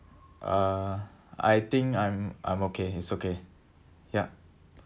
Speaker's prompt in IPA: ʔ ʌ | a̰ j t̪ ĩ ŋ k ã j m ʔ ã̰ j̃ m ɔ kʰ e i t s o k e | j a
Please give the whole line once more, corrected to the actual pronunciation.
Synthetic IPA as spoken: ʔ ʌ | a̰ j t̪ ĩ ŋ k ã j m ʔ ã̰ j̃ m o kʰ e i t s o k e | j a